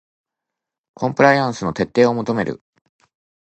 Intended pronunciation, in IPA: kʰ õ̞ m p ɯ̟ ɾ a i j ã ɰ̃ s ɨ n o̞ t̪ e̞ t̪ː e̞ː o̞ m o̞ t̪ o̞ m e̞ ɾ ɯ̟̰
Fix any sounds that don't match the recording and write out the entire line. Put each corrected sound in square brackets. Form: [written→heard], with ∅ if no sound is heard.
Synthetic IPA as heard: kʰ õ̞ m p ɯ̟ ɾ a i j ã ɰ̃ s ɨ n o̞ t̪ e̞ t̪ː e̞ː o̞ m o̞ t̪ o̞ m e̞ ɾ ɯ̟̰

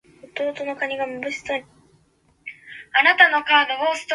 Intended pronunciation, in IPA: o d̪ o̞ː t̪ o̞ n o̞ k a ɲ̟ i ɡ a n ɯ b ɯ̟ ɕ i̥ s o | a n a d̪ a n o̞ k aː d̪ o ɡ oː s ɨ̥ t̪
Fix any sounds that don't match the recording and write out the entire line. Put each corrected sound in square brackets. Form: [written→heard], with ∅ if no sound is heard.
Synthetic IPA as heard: o [d̪→t̪] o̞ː t̪ o̞ n o̞ k a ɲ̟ i ɡ a [n→m] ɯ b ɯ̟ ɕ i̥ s o | a n a [d̪→t̪] a n o̞ k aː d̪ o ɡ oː s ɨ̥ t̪

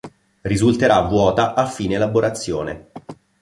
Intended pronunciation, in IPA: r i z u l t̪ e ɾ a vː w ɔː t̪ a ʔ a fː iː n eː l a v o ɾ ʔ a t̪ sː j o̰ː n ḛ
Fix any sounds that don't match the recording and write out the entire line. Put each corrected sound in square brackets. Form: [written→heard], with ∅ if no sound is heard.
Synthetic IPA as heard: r i z u l t̪ e ɾ a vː w ɔː t̪ a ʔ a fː iː n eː l a [v→b] o ɾ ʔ a t̪ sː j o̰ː n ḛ

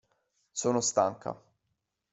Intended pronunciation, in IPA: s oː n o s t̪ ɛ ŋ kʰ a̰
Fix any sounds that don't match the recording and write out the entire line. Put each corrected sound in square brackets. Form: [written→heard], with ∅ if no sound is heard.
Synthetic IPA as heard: s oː n o s t̪ [ɛ→a] ŋ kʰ a̰

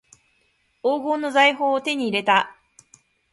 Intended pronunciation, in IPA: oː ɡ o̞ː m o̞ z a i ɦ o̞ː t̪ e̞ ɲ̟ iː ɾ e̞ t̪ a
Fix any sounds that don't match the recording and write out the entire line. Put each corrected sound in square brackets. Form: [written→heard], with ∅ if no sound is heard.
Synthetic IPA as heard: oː ɡ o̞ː [m→n] o̞ z a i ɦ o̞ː t̪ e̞ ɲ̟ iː ɾ e̞ t̪ a

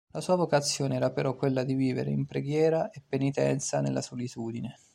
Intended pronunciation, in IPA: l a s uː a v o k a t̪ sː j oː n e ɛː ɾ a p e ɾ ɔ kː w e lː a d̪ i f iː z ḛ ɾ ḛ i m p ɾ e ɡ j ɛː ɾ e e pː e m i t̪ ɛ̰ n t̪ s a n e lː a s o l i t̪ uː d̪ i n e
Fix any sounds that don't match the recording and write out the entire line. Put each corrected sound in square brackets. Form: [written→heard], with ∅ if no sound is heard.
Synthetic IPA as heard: l a s uː a v o k a t̪ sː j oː n e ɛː ɾ a p e ɾ ɔ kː w e lː a d̪ i [f→v] iː [z→v] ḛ ɾ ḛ i m p ɾ e ɡ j ɛː ɾ [e→a] e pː e [m→n] i t̪ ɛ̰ n t̪ s a n e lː a s o l i t̪ uː d̪ i n e

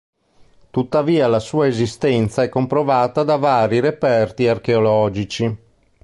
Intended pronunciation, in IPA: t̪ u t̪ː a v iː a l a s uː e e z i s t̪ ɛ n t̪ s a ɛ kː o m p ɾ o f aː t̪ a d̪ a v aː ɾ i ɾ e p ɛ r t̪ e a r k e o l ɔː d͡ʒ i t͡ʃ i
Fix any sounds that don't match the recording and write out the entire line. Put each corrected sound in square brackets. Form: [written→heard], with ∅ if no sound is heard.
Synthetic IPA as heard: t̪ u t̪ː a v iː a l a s uː [e→a] e z i s t̪ ɛ n t̪ s a ɛ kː o m p ɾ o [f→v] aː t̪ a d̪ a v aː ɾ i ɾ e p ɛ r t̪ [e→i] a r k e o l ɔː d͡ʒ i t͡ʃ i

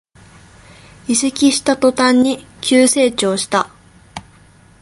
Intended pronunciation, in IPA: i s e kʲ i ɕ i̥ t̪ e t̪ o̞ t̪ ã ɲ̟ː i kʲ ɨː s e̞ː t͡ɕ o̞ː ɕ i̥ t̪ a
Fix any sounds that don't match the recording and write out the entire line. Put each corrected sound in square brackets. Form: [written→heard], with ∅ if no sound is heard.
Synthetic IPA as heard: i s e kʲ i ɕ i̥ t̪ [e→a] t̪ o̞ t̪ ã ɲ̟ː i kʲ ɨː s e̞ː t͡ɕ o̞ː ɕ i̥ t̪ a

